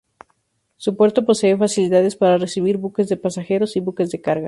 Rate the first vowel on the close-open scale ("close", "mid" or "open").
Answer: close